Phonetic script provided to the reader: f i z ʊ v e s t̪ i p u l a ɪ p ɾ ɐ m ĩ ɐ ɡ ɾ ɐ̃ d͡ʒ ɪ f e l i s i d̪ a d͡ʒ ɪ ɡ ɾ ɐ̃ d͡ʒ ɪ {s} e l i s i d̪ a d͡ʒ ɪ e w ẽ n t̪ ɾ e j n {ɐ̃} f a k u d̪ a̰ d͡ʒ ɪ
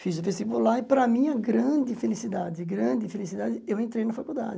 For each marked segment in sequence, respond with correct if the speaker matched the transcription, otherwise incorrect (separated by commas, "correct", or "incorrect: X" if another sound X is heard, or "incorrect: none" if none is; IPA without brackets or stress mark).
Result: incorrect: f, incorrect: ɐ